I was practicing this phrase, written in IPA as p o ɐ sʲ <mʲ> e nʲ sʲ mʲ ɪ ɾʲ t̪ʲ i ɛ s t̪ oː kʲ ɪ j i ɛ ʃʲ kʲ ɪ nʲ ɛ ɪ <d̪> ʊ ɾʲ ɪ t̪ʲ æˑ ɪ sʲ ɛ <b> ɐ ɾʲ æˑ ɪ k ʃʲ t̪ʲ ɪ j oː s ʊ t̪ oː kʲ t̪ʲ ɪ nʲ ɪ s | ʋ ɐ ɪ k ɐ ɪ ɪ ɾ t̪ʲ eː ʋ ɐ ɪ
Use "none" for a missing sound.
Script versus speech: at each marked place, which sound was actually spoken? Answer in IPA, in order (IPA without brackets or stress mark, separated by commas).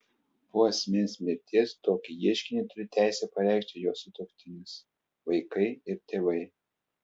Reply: mʲ, t̪, p